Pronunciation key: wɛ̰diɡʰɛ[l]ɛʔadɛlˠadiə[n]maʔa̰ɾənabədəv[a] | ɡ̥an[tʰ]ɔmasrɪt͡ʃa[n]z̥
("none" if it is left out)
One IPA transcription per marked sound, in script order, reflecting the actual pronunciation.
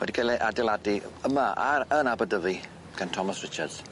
l, none, i, tʰ, d

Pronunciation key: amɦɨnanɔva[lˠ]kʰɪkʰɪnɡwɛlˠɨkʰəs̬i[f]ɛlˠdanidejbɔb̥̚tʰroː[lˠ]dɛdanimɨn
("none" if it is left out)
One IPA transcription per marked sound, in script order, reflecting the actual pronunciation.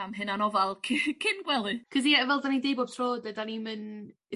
lˠ, v, none

